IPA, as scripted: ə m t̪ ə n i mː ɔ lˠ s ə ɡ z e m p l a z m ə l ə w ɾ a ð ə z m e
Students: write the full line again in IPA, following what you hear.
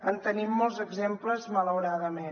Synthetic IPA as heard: ə n t̪ ə n i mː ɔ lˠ z ə ɡ z e m p l ə z m ə l ə w ɾ a ð ə m e